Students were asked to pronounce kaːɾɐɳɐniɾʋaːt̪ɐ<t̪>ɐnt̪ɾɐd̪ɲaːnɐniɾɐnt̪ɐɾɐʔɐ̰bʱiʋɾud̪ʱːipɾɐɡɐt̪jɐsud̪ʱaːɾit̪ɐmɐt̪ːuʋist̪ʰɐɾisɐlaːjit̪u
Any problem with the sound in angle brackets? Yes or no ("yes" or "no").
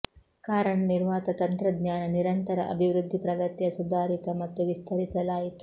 no